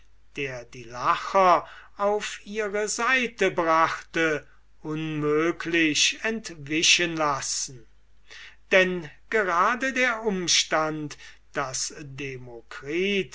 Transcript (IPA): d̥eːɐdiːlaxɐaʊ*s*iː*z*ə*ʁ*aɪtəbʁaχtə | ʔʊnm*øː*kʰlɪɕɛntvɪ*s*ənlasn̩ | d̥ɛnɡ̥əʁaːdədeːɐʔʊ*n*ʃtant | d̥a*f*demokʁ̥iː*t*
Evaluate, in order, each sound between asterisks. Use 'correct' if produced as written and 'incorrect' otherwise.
incorrect: f, incorrect: ʁ, incorrect: z, correct, incorrect: ʃ, incorrect: m, incorrect: s, correct

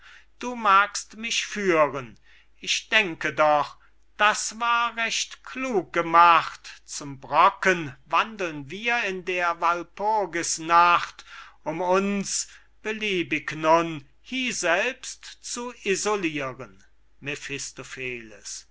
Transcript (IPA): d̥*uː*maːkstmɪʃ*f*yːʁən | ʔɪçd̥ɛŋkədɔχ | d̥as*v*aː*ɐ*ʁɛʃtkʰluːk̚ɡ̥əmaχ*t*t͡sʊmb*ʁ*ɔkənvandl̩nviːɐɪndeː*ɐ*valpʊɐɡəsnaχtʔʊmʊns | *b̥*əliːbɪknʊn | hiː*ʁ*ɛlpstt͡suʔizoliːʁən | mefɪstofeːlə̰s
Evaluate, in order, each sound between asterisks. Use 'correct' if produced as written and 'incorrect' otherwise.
correct, correct, correct, correct, correct, correct, correct, correct, incorrect: z

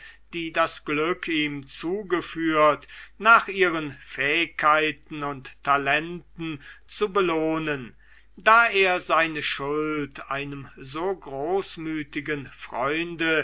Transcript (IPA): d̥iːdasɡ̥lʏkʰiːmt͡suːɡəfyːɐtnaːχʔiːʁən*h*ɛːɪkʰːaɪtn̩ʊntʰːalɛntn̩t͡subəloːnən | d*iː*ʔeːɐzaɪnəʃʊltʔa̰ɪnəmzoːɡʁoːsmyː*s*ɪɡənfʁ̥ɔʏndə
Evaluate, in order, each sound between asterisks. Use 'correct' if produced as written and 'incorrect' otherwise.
incorrect: f, incorrect: aː, incorrect: t

